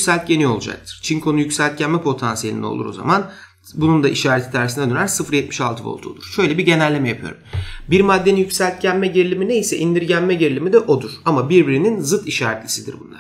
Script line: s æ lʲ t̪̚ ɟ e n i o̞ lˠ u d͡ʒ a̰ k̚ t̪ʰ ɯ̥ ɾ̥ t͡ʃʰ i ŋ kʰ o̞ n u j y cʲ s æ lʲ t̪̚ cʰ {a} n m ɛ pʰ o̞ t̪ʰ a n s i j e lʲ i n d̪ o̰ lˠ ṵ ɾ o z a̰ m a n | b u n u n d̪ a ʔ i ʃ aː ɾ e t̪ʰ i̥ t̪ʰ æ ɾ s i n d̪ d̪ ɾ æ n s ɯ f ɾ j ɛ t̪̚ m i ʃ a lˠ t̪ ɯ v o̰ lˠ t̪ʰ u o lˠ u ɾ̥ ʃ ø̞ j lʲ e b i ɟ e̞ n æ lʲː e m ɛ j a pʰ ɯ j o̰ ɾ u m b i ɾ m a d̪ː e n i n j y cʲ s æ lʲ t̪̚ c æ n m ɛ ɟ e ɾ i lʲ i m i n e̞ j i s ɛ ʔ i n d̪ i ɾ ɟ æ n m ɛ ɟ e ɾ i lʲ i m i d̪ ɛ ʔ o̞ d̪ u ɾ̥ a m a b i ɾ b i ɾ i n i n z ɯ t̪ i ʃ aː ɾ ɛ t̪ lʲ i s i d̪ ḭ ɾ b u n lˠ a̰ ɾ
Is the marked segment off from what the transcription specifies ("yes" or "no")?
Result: yes